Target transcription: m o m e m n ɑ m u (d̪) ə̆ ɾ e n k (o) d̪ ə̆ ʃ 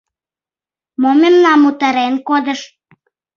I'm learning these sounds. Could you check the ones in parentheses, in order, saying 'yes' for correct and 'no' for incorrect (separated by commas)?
no, yes